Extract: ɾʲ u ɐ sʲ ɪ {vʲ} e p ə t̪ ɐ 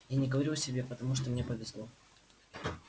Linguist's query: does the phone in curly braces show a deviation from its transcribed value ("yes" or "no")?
yes